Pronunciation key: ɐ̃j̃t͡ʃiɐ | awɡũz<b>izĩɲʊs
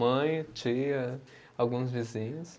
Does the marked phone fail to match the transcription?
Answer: yes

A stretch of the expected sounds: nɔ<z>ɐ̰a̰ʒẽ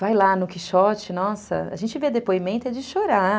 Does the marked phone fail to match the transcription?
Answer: yes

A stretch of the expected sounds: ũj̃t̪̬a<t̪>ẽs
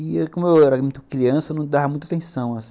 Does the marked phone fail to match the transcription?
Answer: no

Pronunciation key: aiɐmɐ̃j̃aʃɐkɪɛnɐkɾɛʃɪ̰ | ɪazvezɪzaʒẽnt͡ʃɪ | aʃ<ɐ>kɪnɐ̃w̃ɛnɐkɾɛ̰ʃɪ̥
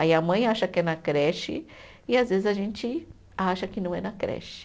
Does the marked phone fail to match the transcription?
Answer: no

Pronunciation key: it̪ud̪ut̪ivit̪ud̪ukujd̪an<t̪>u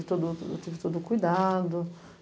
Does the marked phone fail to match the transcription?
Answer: yes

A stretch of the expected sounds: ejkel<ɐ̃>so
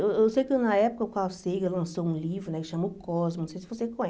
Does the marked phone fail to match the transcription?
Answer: no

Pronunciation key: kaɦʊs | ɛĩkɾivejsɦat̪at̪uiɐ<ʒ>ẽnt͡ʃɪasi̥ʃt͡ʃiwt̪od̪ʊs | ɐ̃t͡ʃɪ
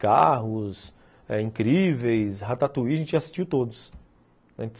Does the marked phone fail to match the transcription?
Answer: no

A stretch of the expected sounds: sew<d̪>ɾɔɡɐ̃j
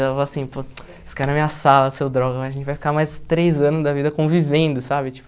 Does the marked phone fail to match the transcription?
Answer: no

